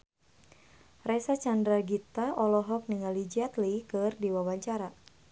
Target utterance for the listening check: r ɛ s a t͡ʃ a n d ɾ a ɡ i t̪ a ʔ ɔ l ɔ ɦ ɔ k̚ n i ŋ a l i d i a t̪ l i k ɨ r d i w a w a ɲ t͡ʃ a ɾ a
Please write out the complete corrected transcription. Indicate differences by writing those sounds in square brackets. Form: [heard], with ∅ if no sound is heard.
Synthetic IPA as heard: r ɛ s a t͡ʃ a n d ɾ a ɡ i t̪ a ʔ ɔ l ɔ ɦ ɔ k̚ n i ŋ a l i [d͡ʒ] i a t̪ l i k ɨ r d i w a w a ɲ t͡ʃ a ɾ a